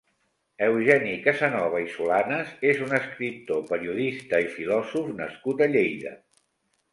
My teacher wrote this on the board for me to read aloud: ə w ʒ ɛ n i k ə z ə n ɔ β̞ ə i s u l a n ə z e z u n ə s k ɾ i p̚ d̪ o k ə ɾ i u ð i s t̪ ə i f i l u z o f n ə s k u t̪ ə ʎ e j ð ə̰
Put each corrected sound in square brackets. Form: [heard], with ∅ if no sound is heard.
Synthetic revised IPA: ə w ʒ ɛ n i k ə z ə n ɔ β̞ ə i s u l a n ə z e z u n ə s k ɾ i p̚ [t̪] o [p] ə ɾ i u ð i s t̪ ə i f i l [ɔ] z [u] f n ə s k u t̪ ə ʎ e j ð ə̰